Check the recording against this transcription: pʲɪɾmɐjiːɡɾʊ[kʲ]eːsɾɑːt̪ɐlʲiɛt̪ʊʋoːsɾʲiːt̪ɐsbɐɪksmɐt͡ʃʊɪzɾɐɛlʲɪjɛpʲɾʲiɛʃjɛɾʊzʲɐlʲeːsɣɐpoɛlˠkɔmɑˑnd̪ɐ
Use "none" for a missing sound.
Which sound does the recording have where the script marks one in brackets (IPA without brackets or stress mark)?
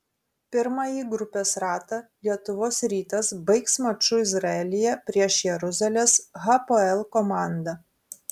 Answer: pʲ